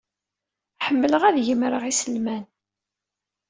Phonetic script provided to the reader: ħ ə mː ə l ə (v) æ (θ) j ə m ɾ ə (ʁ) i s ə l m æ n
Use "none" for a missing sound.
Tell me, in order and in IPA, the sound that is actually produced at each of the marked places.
ʁ, ð, ʁ

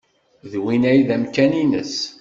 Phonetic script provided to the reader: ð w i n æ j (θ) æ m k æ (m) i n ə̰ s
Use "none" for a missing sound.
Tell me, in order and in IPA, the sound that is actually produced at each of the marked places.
ð, n

